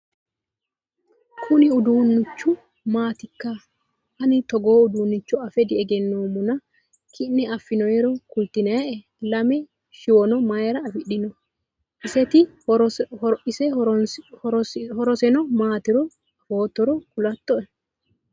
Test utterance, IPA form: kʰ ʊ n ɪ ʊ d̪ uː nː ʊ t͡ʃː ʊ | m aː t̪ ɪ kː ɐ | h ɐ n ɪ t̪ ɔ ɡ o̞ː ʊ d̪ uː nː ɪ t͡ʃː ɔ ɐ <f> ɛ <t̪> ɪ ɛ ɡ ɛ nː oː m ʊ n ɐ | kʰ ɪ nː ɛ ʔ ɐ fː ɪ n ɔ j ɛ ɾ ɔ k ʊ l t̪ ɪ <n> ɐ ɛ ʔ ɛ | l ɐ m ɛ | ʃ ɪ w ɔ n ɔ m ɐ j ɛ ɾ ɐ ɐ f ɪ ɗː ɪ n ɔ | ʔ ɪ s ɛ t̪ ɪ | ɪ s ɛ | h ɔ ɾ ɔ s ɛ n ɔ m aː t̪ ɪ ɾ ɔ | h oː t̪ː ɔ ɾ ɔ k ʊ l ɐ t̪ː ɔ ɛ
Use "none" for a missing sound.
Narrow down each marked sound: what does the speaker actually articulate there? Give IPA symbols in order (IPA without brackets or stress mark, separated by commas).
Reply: f, d̪, n